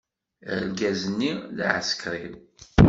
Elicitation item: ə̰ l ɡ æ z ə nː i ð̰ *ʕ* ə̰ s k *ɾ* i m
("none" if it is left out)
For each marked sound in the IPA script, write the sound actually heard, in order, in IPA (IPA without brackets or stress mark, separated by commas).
ʕ, ɾ